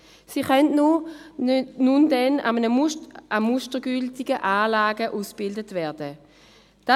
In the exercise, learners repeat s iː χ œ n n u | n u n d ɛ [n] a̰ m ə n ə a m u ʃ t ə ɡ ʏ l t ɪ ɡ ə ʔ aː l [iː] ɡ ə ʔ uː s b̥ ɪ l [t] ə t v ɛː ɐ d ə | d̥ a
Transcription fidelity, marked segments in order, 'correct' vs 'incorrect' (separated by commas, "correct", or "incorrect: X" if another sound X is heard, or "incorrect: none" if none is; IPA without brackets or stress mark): correct, incorrect: aː, incorrect: d